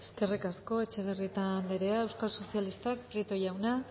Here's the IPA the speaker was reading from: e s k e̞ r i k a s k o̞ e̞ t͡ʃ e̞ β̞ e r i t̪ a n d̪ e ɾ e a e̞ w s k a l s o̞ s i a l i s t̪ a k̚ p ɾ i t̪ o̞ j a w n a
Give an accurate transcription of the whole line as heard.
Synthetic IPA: e s k e̞ r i k a s k o̞ e̞ t͡ʃ e̞ β̞ e r i t̪ a n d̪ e ɾ e a e̞ w s k a l s o̞ s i a l i s t̪ a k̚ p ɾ i t̪ o̞ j a w n a